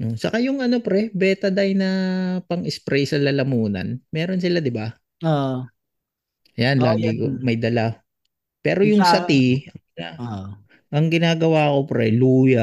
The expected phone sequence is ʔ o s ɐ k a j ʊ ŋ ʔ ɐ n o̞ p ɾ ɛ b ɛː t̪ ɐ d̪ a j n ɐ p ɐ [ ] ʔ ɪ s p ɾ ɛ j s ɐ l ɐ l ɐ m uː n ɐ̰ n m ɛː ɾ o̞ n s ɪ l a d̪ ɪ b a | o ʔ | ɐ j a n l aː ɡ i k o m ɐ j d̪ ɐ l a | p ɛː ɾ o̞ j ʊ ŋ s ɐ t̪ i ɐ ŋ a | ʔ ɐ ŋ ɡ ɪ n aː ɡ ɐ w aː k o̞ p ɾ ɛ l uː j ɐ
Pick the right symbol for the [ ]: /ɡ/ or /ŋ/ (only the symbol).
ŋ